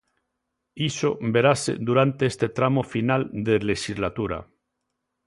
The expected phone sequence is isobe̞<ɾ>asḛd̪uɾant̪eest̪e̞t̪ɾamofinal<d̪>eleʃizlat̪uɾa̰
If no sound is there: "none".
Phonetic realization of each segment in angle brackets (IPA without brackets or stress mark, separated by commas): ɾ, d̪